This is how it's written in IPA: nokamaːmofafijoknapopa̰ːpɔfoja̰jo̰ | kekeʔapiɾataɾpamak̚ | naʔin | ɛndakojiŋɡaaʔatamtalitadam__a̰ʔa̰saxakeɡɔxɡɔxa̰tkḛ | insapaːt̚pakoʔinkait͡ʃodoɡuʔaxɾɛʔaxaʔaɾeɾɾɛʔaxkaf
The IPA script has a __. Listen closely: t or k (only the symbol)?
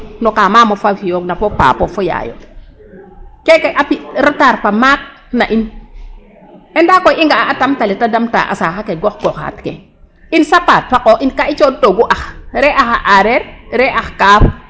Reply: t